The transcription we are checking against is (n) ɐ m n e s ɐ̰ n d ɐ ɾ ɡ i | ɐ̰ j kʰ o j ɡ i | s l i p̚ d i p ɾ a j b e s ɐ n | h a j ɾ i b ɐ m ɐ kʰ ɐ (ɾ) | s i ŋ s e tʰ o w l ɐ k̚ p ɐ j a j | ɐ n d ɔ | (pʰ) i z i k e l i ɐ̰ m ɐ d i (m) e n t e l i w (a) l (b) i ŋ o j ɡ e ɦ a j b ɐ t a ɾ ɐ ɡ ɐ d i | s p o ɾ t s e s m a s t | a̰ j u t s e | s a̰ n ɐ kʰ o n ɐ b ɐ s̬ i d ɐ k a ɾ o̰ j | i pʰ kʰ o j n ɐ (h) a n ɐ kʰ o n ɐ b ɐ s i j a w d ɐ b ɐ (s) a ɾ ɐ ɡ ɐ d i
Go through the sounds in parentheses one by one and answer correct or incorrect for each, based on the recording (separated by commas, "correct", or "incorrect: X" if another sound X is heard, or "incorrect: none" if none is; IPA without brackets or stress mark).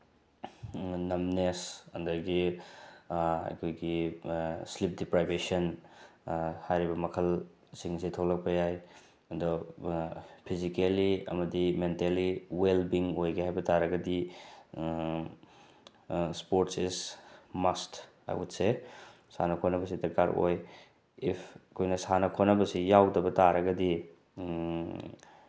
correct, incorrect: l, correct, correct, incorrect: e, correct, incorrect: s, incorrect: t